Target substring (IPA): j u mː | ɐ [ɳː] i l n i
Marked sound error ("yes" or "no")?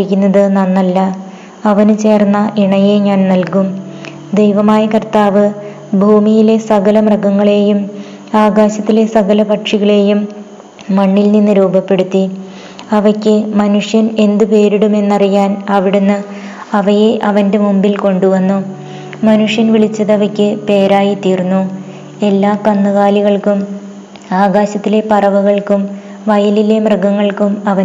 no